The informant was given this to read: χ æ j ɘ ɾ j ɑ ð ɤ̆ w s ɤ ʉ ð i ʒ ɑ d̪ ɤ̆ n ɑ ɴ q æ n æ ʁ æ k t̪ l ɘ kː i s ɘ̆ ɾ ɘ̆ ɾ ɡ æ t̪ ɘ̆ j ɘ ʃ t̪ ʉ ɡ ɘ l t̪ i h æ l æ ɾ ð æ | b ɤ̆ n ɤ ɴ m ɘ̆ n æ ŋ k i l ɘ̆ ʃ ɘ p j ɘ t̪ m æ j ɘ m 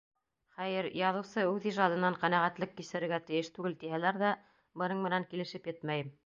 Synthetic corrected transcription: χ æ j ɘ ɾ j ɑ ð ɤ̆ w s ɤ ʉ ð i ʒ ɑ d̪ ɤ̆ n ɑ ɴ q æ n æ ʁ æ t̪ l ɘ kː i s ɘ̆ ɾ ɘ̆ ɾ ɡ æ t̪ ɘ̆ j ɘ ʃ t̪ ʉ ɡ ɘ l t̪ i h æ l æ ɾ ð æ | b ɤ̆ n ɤ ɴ m ɘ̆ n æ ŋ k i l ɘ̆ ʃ ɘ p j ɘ t̪ m æ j ɘ m

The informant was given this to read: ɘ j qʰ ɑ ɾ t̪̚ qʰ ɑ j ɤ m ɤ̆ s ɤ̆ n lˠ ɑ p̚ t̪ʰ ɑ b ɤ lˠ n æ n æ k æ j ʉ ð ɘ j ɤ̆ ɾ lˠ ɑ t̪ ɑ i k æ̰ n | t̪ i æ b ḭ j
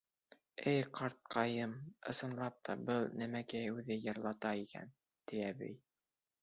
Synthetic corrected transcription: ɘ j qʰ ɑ ɾ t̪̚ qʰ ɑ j ɤ m ɤ̆ s ɤ̆ n lˠ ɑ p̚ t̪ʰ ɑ b ɤ lˠ n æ m æ k æ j ʉ ð ɘ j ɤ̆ ɾ lˠ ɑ t̪ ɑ i k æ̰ n | t̪ i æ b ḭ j

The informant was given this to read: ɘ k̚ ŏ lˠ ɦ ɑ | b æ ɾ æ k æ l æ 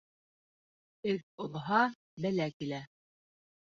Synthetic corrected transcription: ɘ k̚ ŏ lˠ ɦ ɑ | b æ l æ k i l æ

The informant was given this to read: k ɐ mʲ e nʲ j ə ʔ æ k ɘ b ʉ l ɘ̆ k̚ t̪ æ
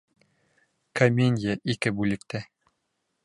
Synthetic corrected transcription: k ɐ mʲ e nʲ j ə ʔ i k ɘ b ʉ l ɘ̆ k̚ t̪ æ

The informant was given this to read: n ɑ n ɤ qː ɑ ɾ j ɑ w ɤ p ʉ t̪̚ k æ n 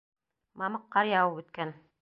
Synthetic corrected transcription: m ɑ m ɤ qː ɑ ɾ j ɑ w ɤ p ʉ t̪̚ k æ n

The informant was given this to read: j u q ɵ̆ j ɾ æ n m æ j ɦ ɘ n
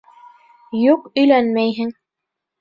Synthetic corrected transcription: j u q ɵ̆ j l æ n m æ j ɦ ɘ ŋ

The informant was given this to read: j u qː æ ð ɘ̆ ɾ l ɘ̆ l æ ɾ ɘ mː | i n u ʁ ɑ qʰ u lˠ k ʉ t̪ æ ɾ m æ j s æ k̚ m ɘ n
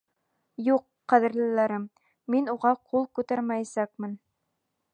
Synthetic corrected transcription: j u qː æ ð ɘ̆ ɾ l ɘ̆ l æ ɾ ɘ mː | i n u ʁ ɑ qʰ u lˠ k ʉ t̪ æ ɾ m æ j s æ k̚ m ɘ n

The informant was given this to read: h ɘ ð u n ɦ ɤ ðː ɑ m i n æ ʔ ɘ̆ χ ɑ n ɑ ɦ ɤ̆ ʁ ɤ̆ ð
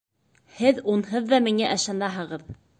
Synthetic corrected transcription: h ɘ ð u n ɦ ɤ ðː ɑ m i ŋ æ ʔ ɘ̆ ʃ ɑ n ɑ ɦ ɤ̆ ʁ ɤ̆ ð

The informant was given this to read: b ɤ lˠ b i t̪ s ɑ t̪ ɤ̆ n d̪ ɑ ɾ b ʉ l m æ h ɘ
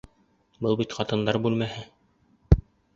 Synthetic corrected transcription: b ɤ lˠ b i t̪ χ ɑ t̪ ɤ̆ n d̪ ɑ ɾ b ʉ l m æ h ɘ

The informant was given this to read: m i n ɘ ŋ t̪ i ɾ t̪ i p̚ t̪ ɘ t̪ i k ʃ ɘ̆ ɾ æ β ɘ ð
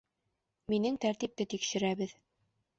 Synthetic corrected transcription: m i n ɘ ŋ t̪ æ ɾ t̪ i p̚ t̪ ɘ t̪ i k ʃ ɘ̆ ɾ æ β ɘ ð

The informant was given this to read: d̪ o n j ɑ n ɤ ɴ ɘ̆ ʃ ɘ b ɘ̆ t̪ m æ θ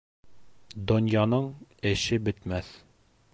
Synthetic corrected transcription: d̪ o n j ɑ n ɤ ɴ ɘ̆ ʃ ɘ b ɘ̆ t̪ m æ θ

